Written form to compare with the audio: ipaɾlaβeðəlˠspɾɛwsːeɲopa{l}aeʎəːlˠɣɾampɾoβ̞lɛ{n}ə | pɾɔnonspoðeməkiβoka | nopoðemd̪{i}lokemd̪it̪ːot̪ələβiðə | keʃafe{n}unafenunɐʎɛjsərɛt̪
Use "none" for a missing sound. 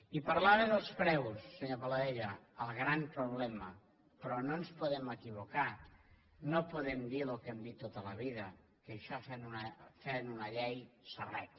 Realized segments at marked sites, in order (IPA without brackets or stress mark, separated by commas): l, m, i, n